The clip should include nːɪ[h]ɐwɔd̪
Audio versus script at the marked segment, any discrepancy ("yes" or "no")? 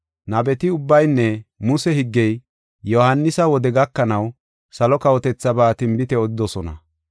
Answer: yes